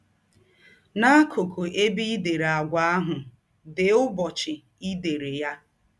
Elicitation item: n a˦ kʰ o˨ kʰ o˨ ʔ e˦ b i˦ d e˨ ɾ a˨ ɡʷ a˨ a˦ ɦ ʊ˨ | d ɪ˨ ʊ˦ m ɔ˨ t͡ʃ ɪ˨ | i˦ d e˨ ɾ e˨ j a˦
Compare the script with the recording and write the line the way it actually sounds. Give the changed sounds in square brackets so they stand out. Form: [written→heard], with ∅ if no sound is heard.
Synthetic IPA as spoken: n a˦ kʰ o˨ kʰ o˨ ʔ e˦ b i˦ d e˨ ɾ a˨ ɡʷ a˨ a˦ ɦ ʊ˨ | d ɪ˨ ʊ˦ [m→b] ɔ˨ t͡ʃ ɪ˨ | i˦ d e˨ ɾ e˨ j a˦